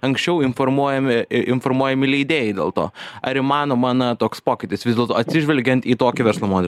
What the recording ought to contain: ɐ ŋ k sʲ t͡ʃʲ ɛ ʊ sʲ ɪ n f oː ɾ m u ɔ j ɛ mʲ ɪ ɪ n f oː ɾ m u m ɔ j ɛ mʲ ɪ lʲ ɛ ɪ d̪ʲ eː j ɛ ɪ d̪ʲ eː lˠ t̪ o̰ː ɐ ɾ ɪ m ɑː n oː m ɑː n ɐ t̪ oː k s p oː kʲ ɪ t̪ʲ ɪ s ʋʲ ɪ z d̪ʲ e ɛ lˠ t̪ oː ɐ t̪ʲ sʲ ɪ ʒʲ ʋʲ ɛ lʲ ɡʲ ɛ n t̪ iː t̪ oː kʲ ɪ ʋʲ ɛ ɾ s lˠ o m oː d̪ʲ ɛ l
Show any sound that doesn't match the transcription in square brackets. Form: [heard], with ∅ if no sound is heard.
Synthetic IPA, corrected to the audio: ɐ ŋ k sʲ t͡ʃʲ ɛ ʊ [∅] ɪ n f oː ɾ m u ɔ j ɛ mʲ ɪ ɪ n f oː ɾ m u [∅] ɔ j ɛ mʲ ɪ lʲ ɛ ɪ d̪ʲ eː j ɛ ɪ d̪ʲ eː lˠ t̪ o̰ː ɐ ɾ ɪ m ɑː n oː m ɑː n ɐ t̪ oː k s p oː kʲ ɪ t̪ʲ ɪ s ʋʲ ɪ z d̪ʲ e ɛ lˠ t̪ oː ɐ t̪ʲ sʲ ɪ ʒʲ ʋʲ ɛ lʲ ɡʲ ɛ n t̪ iː t̪ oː kʲ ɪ ʋʲ ɛ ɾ s lˠ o m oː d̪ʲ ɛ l